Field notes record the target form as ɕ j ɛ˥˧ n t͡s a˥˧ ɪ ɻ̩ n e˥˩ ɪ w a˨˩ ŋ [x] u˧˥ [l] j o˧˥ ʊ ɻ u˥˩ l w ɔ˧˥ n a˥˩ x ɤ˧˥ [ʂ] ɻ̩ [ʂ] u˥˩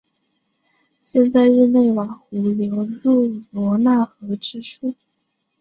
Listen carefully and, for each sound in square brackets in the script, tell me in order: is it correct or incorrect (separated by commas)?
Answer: correct, correct, incorrect, correct